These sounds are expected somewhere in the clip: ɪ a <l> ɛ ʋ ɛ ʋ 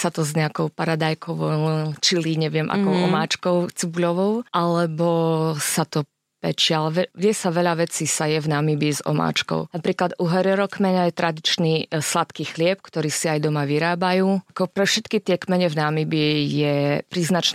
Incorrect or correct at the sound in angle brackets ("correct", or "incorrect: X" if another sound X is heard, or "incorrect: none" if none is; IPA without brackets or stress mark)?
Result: correct